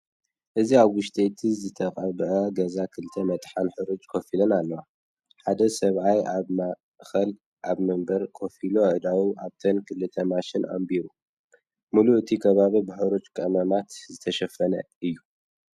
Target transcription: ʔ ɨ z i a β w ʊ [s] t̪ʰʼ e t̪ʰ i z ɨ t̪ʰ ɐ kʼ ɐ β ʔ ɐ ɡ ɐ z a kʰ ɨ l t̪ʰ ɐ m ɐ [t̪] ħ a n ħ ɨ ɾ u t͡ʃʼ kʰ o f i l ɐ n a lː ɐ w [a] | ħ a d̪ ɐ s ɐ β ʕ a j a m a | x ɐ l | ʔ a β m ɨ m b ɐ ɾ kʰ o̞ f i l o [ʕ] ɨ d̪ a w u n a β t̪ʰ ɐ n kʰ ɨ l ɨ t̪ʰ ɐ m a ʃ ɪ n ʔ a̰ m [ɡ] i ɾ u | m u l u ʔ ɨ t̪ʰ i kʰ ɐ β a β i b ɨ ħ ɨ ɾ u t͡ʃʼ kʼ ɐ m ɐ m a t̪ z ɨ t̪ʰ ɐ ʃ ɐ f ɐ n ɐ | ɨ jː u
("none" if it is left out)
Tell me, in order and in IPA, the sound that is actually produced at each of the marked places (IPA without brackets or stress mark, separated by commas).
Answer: ʃ, t̪ʼ, a, ʕ, b